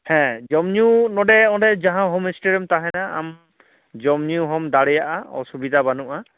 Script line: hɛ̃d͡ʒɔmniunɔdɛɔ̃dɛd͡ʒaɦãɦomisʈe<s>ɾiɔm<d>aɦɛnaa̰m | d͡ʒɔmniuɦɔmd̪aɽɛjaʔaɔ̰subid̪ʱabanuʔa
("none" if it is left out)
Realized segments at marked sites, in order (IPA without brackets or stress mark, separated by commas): none, t